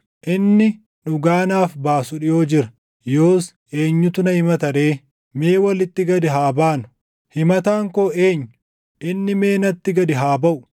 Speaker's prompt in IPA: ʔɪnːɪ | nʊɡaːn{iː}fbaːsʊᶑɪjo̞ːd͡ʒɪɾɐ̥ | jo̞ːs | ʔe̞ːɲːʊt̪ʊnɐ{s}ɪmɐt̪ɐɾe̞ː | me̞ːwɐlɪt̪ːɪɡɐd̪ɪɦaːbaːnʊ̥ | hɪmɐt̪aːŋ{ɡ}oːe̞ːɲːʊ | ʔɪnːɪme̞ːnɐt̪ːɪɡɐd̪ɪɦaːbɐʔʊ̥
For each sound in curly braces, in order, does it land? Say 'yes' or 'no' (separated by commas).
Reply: no, no, no